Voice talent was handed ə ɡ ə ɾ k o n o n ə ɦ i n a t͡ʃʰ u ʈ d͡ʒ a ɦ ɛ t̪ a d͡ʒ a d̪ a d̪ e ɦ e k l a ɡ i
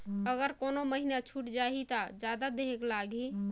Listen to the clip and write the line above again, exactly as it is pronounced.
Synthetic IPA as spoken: ə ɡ ə ɾ k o n o m ə ɦ i n a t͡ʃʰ u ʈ d͡ʒ a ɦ i t̪ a d͡ʒ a d̪ a d̪ e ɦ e k l a ɡ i